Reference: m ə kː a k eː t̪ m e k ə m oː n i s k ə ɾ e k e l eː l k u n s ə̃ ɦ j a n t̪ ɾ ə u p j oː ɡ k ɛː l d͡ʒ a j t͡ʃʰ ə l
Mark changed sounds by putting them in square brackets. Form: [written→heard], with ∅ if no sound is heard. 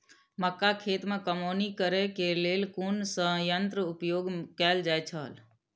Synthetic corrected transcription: m ə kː a [k→kʰ] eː t̪ m e k ə m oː n i [s→∅] k ə ɾ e k e l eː l k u n s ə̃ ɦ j [a→ə] n t̪ ɾ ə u p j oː ɡ k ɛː l d͡ʒ a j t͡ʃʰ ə l

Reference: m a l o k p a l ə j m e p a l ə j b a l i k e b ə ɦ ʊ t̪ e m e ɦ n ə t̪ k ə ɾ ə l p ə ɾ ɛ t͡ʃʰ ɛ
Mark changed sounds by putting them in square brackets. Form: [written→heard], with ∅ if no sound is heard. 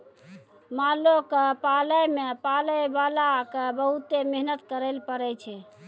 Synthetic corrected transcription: m a l o k p a l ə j m e p a l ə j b a l [i→a] k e b ə ɦ [ʊ→u] t̪ e m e ɦ n ə t̪ k ə ɾ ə l p ə ɾ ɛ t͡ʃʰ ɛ

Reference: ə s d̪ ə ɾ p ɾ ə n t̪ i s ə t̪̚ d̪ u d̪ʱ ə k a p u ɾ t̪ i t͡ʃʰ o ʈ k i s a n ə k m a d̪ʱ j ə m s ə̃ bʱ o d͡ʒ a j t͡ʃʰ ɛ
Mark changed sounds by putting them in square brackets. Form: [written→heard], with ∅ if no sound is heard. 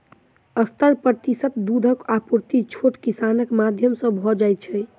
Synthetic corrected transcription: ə s [d̪→t̪] ə ɾ p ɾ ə [n→∅] t̪ i s ə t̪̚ d̪ u d̪ʱ ə k a p u ɾ t̪ i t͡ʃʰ o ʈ k i s a n ə k m a d̪ʱ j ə m s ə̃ bʱ [o→ɔ] d͡ʒ a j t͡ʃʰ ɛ

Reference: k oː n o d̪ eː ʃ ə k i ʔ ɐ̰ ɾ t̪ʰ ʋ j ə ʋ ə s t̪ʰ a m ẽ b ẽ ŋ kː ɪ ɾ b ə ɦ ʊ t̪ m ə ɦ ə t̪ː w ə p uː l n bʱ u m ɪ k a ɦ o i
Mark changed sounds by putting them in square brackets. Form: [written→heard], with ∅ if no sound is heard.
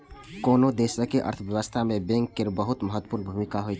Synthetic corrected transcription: k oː n o d̪ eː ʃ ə k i ʔ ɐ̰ ɾ t̪ʰ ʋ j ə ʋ ə s t̪ʰ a m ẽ b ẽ ŋ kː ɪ ɾ b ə ɦ ʊ t̪ m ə ɦ ə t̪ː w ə p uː [l→ɾ] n bʱ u m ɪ k a ɦ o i

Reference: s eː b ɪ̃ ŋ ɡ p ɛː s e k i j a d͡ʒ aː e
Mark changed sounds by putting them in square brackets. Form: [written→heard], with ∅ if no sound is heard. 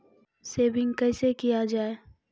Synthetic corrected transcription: s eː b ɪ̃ ŋ ɡ [p→k] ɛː s e k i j a d͡ʒ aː e

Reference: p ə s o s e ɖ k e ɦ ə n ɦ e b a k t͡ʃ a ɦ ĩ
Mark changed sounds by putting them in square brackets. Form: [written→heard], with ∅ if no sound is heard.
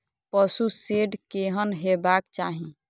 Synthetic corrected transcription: p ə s [o→u] s e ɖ k e ɦ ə n ɦ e b a k t͡ʃ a ɦ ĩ

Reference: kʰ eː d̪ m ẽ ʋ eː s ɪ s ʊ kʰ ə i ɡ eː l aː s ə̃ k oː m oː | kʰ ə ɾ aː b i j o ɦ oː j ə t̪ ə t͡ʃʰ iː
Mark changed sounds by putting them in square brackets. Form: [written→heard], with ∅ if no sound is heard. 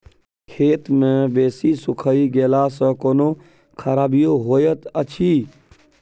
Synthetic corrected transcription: kʰ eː [d̪→t̪] m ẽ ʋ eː s [ɪ→i] s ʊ kʰ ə i ɡ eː l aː s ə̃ k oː [m→n] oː | kʰ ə ɾ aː b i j o ɦ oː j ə t̪ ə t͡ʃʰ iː

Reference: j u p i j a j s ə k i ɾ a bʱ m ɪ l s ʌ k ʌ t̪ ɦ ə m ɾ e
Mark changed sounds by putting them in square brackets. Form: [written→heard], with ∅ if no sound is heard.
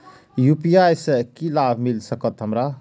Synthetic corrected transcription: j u p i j a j s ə k i [ɾ→l] a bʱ m [ɪ→i] l s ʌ k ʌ t̪ ɦ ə m ɾ [e→a]

